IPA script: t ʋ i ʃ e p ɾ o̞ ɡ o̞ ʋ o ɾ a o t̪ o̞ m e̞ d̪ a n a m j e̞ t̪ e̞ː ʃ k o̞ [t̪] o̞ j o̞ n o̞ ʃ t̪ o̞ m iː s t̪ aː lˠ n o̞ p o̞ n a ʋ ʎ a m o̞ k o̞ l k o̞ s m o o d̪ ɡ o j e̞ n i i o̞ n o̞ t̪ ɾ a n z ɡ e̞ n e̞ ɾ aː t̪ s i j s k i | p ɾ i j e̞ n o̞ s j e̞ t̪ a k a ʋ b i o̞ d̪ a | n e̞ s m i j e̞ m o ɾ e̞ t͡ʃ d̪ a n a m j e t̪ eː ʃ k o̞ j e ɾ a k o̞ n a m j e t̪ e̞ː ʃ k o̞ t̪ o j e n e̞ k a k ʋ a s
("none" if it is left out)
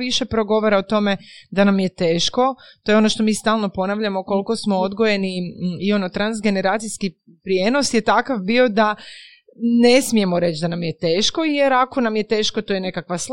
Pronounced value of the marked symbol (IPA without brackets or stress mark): t̪